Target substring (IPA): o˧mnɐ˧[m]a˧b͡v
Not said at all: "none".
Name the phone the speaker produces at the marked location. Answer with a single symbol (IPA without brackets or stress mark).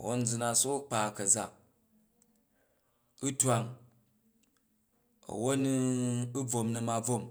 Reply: m